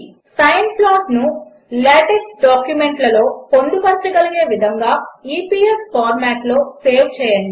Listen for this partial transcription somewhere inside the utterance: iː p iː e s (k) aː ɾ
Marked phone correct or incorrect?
incorrect